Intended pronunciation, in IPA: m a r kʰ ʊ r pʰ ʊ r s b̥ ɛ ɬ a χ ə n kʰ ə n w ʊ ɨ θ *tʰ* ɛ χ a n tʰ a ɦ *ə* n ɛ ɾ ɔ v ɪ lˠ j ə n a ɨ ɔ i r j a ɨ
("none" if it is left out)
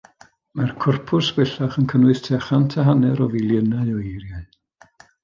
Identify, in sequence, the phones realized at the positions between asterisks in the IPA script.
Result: tʰ, a

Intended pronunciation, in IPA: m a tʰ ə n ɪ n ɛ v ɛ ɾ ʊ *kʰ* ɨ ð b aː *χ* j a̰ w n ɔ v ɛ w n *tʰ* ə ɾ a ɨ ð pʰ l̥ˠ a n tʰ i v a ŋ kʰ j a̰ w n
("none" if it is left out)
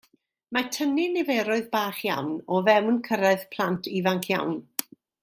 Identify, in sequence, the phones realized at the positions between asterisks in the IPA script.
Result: none, χ, kʰ

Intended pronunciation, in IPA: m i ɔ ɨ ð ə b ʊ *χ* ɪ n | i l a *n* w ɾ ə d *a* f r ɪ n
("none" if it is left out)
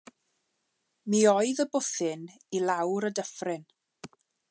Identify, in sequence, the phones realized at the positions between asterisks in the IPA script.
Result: θ, none, ə

